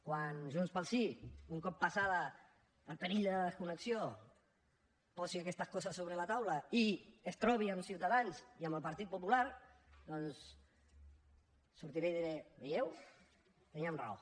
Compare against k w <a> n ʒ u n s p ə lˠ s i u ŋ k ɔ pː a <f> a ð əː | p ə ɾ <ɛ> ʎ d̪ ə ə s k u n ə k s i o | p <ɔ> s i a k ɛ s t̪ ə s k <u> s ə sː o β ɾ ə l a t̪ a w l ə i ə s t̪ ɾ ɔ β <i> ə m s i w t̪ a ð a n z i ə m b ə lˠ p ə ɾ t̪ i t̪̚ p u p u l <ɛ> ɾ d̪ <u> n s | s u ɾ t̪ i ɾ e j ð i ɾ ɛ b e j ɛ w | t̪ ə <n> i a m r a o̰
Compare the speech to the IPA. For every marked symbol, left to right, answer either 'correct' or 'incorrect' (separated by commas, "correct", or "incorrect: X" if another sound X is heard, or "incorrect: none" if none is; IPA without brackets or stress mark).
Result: correct, incorrect: s, incorrect: i, correct, incorrect: ɔ, correct, incorrect: a, incorrect: ɔ, correct